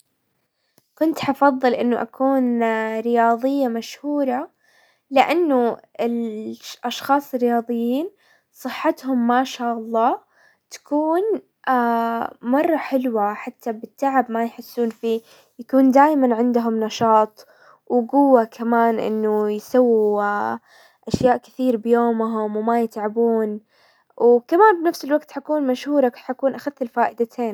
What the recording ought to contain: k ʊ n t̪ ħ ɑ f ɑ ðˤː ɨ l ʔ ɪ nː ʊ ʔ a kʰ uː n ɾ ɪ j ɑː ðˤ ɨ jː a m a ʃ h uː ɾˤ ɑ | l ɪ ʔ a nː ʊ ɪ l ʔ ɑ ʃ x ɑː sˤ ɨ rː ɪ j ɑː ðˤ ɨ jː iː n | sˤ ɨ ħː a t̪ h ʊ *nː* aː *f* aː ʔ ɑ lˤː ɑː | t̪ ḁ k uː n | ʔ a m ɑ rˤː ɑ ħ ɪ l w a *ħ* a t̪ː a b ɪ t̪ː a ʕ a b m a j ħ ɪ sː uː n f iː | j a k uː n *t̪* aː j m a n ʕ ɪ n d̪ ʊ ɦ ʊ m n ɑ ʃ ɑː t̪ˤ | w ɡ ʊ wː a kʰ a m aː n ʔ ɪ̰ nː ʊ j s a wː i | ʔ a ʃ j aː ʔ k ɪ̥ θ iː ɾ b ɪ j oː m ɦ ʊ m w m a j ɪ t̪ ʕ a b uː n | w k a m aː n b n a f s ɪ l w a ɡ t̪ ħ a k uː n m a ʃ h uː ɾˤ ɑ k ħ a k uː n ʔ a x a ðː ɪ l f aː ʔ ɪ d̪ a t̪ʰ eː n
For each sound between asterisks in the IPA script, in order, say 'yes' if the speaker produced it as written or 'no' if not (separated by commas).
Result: no, no, yes, no